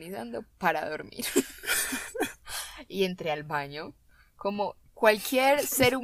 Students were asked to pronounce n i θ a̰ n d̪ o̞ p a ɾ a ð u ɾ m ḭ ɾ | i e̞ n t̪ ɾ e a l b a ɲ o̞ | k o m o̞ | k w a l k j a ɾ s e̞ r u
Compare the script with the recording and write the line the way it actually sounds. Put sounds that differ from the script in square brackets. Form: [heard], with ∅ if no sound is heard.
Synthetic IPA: n i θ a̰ n d̪ o̞ p a ɾ a ð [o] ɾ m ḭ ɾ | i e̞ n t̪ ɾ e a l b a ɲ o̞ | k o m o̞ | k w a l k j [e] ɾ s e̞ [ɾ] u